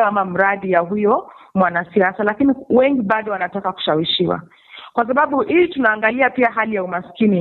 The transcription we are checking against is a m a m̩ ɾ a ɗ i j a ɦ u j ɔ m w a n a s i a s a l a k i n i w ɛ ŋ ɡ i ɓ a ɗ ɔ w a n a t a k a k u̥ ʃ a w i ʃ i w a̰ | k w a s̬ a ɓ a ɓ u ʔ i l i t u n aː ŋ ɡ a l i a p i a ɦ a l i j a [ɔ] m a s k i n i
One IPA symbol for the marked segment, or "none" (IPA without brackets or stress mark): u